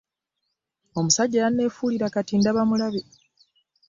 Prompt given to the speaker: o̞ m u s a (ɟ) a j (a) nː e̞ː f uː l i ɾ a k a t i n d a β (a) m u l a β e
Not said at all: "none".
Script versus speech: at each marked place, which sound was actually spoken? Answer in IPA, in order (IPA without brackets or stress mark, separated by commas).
ɟː, a, a